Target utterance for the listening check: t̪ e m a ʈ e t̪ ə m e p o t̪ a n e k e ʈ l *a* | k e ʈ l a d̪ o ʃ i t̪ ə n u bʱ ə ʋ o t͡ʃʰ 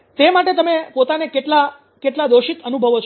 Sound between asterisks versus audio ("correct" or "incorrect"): correct